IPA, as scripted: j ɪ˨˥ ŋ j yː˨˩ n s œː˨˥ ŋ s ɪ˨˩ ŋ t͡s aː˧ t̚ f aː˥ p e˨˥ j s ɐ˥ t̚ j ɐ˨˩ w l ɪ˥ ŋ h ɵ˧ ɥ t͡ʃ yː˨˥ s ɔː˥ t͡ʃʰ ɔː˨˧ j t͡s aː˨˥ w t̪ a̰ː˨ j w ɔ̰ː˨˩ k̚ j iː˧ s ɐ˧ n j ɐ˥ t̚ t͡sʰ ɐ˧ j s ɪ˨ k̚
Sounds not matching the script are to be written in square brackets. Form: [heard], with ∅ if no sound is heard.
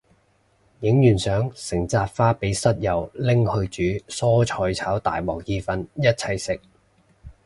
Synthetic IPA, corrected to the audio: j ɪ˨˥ ŋ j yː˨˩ n s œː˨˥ ŋ s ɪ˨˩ ŋ t͡s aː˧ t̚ f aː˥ p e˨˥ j s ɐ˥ t̚ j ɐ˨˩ w l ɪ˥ ŋ h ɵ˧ ɥ t͡ʃ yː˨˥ s ɔː˥ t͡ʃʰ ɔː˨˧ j [t͡sʰ] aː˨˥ w t̪ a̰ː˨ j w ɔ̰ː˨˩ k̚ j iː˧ [f] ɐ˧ n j ɐ˥ t̚ t͡sʰ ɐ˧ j s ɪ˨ k̚